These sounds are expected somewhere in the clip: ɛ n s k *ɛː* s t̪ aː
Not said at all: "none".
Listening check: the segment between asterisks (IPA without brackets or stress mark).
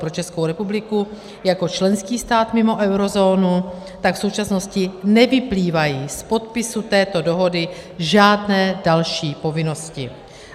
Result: iː